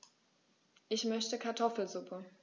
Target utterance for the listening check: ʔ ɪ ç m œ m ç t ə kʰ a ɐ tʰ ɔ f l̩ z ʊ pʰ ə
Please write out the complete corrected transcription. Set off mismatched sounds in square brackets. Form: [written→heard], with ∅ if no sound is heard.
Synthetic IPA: ʔ ɪ ç m œ [m→∅] ç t ə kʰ a ɐ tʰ ɔ f l̩ z ʊ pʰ ə